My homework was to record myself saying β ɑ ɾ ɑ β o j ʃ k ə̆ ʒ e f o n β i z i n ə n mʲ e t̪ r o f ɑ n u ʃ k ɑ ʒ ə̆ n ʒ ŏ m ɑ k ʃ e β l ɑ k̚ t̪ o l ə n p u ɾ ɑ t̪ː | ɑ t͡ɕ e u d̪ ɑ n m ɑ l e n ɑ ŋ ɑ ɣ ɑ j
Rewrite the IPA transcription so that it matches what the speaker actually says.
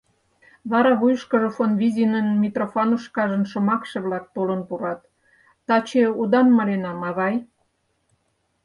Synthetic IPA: β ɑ ɾ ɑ β u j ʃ k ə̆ ʒ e f o n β i z i n ə n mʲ i t̪ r o f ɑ n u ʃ k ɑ ʒ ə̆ n ʃ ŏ m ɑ k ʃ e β l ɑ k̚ t̪ o l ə n p u ɾ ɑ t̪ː | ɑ t͡ɕ e u d̪ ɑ n m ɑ l e n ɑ m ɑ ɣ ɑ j

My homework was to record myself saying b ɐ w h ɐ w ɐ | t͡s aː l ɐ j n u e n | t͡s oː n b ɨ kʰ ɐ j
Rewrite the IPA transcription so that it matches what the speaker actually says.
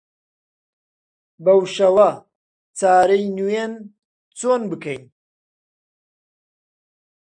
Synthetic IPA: b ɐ w ʃ ɐ w ɐ | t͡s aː ɾ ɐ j n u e n | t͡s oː n b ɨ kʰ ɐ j

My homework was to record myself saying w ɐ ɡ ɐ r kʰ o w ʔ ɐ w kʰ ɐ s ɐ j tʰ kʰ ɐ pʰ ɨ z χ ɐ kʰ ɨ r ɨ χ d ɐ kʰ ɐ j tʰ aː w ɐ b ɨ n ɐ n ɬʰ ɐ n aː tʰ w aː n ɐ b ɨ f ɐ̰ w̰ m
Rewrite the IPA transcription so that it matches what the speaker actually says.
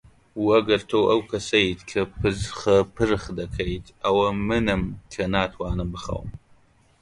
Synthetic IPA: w ɐ ɡ ɐ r tʰ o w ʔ ɐ w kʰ ɐ s ɐ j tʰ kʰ ɐ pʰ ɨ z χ ɐ pʰ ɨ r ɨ χ d ɐ kʰ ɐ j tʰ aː w ɐ m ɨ n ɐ m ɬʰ ɐ n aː tʰ w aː n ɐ b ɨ χ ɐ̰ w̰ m

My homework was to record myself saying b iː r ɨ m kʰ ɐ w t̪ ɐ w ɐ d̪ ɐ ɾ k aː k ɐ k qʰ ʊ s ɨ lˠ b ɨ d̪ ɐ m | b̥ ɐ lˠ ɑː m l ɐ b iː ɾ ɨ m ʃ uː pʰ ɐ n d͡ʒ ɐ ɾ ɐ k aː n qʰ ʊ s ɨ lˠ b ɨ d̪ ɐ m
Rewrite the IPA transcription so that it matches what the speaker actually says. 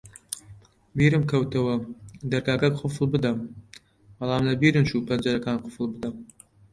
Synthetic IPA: b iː ɾ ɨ m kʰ ɐ w t̪ ɐ w ɐ d̪ ɐ ɾ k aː k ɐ k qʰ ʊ f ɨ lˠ b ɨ d̪ ɐ m | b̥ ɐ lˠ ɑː m l ɐ b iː ɾ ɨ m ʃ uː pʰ ɐ n d͡ʒ ɐ ɾ ɐ k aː n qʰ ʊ f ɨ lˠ b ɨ d̪ ɐ m

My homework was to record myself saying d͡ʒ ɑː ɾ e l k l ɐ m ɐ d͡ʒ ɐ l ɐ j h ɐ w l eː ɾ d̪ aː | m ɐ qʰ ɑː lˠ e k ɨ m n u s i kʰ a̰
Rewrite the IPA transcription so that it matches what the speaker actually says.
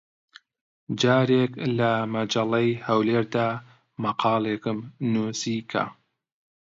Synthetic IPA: d͡ʒ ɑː ɾ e k l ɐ m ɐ d͡ʒ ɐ l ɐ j h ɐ w l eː ɾ d̪ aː | m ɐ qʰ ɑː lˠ e k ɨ m n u s i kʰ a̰

